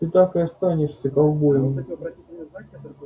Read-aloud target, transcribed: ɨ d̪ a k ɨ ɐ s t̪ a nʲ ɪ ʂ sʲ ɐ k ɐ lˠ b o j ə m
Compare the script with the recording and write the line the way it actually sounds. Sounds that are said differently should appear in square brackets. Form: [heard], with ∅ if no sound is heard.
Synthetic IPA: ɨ [t̪] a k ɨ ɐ s t̪ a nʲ ɪ ʂ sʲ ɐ k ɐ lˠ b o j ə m